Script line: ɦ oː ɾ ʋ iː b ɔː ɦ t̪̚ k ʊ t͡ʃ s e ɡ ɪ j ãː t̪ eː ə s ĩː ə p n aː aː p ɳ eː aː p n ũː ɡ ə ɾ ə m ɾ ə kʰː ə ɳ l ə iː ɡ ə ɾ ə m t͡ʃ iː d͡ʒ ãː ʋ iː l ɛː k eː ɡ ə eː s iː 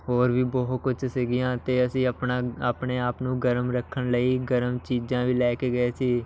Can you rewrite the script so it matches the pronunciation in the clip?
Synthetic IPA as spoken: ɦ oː ɾ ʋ iː b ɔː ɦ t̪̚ k ʊ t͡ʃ s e ɡ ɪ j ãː t̪ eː ə s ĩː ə p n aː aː p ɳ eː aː p n ũː ɡ ə ɾ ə m ɾ ə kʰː ə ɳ l ə iː ɡ ə ɾ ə m t͡ʃ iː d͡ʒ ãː ʋ iː l ɛː k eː ɡ ə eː s iː